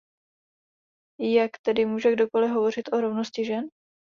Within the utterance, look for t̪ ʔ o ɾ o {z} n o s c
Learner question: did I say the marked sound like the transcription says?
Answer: no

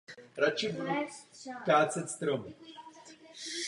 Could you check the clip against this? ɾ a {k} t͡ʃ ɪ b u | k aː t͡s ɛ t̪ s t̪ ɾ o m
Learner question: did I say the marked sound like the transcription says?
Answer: no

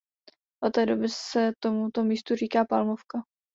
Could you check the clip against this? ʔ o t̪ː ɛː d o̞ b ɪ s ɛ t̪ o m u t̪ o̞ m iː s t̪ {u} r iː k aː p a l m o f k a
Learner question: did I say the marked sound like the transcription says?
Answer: yes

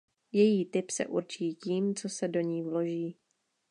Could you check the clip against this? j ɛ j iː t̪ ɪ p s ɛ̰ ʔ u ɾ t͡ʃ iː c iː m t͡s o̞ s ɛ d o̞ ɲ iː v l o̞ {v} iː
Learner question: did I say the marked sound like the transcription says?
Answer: no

